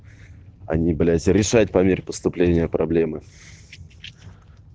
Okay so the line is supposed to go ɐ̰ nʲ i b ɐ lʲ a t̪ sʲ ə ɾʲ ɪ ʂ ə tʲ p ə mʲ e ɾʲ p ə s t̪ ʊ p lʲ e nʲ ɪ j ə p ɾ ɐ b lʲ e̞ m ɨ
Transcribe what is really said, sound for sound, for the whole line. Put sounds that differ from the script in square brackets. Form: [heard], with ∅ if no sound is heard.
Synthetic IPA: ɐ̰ nʲ i b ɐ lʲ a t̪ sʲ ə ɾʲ ɪ ʂ [a] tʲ p [ɐ] mʲ e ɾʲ p ə s t̪ ʊ p lʲ e nʲ ɪ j ə p ɾ ɐ b lʲ e̞ m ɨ

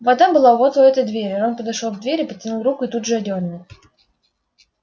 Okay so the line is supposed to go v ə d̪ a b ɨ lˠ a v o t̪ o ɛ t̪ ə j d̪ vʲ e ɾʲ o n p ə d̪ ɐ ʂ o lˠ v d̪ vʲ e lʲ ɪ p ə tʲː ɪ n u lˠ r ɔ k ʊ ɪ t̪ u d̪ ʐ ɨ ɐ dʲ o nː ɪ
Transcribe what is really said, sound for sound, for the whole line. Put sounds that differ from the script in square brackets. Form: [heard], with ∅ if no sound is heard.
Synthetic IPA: v [ɐ] d̪ a b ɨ lˠ a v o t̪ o ɛ t̪ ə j d̪ vʲ e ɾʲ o n p ə d̪ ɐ ʂ o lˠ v d̪ vʲ e [ɾʲ] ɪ p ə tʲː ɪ n u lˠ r [u] k ʊ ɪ t̪ u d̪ ʐ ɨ ɐ dʲ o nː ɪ

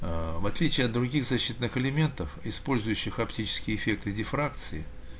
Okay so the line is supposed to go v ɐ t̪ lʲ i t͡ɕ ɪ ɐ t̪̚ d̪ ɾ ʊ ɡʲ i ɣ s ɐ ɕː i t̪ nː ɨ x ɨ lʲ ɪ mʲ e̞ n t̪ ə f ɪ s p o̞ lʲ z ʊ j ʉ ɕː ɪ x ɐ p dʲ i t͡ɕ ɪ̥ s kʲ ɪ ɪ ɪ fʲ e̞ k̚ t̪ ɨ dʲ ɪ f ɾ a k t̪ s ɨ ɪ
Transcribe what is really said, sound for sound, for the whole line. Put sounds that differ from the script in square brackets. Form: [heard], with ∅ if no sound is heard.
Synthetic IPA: v ɐ t̪ lʲ i t͡ɕ ɪ ɐ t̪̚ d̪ ɾ ʊ ɡʲ i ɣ [z] ɐ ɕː i t̪ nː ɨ x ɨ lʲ ɪ mʲ e̞ n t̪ ə f ɪ s p o̞ lʲ z ʊ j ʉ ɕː ɪ x ɐ p [tʲ] i t͡ɕ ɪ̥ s kʲ ɪ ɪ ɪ fʲ e̞ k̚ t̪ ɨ dʲ ɪ f ɾ a k t̪ s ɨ ɪ

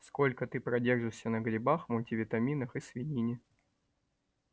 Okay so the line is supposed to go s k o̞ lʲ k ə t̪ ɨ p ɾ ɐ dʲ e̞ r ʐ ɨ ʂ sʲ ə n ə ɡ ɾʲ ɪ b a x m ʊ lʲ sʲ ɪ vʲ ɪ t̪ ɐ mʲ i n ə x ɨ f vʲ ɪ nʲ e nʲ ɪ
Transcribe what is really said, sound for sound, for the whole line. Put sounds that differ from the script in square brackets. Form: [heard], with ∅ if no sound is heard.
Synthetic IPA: s k o̞ lʲ k ə t̪ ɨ p ɾ ɐ dʲ e̞ r ʐ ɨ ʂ sʲ ə n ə ɡ ɾʲ ɪ b a x m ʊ lʲ [tʲ] ɪ vʲ ɪ t̪ ɐ mʲ i n ə x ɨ [s] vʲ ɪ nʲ [i] nʲ ɪ

